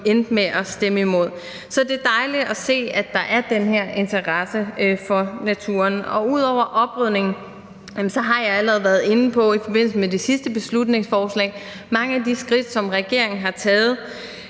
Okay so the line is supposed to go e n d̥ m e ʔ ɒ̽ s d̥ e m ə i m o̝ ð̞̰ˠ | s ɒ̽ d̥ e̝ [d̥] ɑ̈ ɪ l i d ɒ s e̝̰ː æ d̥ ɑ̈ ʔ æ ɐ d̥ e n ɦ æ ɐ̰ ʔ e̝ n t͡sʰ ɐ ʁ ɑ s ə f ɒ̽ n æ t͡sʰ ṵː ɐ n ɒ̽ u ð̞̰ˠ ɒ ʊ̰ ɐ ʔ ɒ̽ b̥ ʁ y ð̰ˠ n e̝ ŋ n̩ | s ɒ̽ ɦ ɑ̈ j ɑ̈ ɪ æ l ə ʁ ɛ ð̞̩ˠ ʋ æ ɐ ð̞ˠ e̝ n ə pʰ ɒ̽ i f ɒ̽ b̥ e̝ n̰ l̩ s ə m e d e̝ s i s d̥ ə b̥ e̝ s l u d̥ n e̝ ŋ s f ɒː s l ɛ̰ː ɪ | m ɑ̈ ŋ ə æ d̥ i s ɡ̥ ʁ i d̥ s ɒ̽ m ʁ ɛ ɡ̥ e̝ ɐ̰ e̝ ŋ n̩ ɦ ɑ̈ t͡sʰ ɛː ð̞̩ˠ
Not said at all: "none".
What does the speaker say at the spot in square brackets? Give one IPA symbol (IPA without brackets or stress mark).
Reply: d̥